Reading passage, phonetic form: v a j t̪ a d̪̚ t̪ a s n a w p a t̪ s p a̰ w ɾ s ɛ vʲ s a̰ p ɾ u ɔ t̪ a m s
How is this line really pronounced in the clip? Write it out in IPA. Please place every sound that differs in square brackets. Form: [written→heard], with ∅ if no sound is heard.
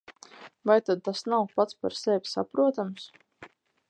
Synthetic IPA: v a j t̪ a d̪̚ t̪ a s n a w p a t̪ s p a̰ [w→∅] ɾ s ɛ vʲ s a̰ p ɾ u ɔ t̪ a m s